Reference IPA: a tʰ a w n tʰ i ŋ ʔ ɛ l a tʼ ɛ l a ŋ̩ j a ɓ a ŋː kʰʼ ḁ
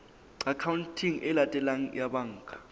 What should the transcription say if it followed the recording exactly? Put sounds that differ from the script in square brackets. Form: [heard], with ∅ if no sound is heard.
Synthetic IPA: a [kʰ] a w n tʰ i ŋ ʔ ɛ l a tʼ ɛ l a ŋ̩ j a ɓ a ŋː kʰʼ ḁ